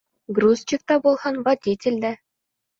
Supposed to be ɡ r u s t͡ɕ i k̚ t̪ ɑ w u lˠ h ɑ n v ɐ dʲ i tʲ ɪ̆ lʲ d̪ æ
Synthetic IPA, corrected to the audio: ɡ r u s t͡ɕ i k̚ t̪ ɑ b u lˠ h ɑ n v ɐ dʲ i tʲ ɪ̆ lʲ d̪ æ